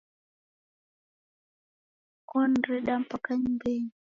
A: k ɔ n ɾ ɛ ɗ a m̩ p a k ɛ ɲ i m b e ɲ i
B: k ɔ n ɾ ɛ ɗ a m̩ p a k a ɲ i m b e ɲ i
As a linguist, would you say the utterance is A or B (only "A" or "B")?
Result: B